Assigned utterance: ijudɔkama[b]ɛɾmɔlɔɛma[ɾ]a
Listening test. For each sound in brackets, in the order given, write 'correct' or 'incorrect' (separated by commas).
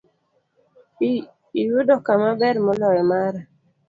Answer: correct, correct